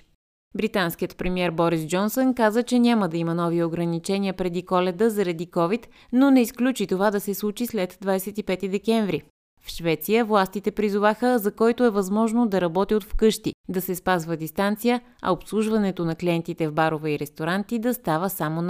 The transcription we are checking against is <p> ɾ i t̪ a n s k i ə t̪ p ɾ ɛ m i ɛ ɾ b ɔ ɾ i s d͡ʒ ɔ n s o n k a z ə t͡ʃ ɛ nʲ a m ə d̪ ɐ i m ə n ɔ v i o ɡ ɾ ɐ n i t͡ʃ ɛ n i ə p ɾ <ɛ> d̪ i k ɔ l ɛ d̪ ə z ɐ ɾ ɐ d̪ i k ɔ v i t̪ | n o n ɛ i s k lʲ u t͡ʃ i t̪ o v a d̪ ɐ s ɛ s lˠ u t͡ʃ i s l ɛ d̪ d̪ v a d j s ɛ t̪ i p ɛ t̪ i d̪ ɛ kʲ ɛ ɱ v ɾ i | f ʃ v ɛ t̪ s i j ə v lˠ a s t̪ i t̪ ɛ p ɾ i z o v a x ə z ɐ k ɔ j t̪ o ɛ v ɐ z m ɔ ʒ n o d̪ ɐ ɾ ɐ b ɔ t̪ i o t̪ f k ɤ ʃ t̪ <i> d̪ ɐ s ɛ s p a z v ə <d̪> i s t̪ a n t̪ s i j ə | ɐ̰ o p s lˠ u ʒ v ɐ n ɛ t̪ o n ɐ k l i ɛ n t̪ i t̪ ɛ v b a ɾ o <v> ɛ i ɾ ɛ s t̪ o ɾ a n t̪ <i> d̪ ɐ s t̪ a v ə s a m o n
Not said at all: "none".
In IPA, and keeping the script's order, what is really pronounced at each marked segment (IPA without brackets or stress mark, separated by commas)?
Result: b, ɛ, i, d̪, v, i